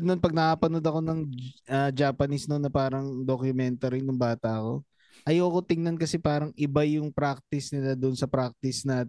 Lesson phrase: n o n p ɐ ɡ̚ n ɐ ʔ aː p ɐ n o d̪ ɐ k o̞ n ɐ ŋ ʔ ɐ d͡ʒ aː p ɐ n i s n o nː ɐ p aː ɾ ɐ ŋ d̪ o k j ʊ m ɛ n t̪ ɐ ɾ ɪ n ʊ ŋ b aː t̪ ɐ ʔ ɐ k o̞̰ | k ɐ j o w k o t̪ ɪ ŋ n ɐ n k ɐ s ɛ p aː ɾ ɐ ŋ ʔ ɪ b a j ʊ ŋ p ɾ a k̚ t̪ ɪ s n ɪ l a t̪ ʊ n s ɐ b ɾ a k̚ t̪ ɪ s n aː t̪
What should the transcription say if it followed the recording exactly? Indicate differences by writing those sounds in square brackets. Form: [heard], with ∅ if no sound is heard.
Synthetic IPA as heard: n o n p ɐ ɡ̚ n ɐ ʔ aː p ɐ n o d̪ ɐ k o̞ n ɐ ŋ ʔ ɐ d͡ʒ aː p ɐ n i s n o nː ɐ p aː ɾ ɐ ŋ d̪ o k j ʊ m ɛ n t̪ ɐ ɾ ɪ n ʊ ŋ b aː t̪ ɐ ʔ ɐ k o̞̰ | [ʔ] ɐ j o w k o t̪ ɪ ŋ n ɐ n k ɐ s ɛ p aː ɾ ɐ ŋ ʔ ɪ b a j ʊ ŋ p ɾ a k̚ t̪ ɪ s n ɪ l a [d̪] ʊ n s ɐ [p] ɾ a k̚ t̪ ɪ s n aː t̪